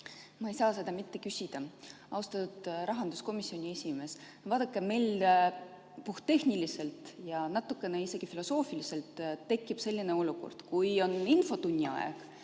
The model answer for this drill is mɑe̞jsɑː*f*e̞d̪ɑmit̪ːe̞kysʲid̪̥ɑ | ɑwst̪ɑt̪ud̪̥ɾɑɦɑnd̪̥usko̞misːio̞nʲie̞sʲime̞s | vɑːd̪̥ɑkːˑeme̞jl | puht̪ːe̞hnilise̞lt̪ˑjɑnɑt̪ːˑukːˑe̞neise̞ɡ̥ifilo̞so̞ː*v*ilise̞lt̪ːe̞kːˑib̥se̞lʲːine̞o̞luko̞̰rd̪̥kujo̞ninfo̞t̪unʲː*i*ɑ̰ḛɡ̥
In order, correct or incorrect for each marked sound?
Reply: incorrect: s, incorrect: f, correct

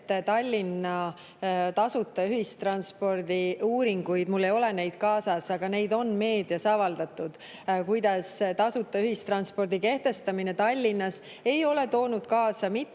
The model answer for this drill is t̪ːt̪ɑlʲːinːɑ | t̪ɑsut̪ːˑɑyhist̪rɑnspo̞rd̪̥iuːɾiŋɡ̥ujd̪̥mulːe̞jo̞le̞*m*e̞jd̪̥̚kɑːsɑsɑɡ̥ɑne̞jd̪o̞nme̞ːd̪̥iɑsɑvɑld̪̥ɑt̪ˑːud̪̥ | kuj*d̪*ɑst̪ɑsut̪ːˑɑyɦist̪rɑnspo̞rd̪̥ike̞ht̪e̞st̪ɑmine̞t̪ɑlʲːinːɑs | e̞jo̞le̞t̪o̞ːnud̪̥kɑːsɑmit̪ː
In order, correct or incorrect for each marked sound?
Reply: incorrect: n, correct

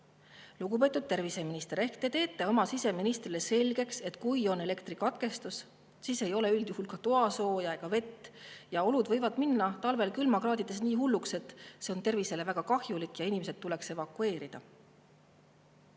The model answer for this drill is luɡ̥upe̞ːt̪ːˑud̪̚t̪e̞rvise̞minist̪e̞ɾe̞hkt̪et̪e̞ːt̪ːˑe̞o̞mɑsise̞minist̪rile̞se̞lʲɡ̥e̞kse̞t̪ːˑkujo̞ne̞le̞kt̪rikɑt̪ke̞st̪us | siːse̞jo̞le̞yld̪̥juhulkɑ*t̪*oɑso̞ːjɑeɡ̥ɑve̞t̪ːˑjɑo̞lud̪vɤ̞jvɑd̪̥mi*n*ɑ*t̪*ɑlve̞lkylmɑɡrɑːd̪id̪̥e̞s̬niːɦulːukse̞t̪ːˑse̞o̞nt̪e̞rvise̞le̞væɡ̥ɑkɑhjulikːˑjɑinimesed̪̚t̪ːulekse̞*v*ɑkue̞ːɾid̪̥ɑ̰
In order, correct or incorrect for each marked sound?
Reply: correct, incorrect: nː, correct, correct

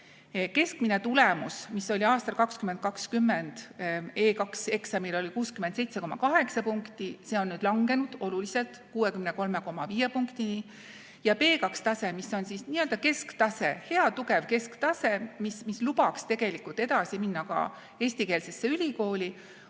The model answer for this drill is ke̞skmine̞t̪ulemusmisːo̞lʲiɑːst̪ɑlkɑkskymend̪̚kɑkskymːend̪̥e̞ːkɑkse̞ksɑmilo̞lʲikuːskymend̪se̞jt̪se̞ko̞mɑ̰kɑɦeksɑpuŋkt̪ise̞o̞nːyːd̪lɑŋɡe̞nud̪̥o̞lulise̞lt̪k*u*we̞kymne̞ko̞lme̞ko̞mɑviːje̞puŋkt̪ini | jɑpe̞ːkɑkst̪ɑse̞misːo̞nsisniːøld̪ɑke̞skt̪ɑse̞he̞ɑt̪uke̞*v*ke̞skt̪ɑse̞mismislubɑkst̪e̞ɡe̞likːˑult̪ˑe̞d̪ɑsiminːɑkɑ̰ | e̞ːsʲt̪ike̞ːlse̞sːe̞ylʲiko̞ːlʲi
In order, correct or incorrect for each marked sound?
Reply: incorrect: uː, correct

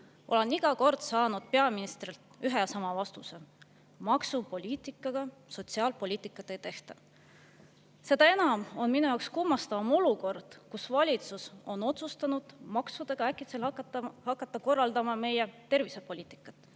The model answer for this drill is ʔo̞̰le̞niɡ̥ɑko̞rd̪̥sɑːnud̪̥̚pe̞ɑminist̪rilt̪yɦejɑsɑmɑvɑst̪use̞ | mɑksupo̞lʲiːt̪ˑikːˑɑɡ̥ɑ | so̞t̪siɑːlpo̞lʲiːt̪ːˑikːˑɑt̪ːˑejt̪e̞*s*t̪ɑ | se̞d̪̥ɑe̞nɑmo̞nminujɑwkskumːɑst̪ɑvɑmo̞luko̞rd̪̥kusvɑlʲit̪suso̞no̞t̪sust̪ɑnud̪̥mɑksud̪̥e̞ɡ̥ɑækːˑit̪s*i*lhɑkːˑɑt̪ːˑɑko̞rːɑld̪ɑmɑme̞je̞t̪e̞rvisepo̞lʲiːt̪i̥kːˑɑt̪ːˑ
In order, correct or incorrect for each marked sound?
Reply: incorrect: h, incorrect: e

